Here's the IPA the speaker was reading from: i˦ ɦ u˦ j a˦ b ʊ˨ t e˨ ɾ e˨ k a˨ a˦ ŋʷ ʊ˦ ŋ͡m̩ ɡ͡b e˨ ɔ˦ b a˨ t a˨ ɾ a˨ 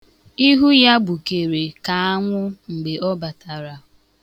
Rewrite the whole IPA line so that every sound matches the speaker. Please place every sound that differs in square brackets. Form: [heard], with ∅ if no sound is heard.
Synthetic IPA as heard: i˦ ɦ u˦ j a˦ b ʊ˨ [k] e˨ ɾ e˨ k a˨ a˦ ŋʷ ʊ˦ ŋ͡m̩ ɡ͡b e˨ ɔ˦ b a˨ t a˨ ɾ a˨

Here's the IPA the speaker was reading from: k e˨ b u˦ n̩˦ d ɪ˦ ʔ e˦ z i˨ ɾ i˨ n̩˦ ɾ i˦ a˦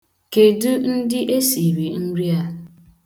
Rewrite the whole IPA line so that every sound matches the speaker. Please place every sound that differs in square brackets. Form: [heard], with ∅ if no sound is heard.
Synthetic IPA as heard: k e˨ [d] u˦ n̩˦ d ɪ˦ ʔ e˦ [s] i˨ ɾ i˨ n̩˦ ɾ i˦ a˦

